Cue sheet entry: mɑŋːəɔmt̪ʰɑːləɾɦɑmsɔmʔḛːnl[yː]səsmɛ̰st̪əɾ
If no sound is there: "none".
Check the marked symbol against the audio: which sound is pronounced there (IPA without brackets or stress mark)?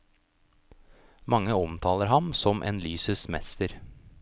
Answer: yː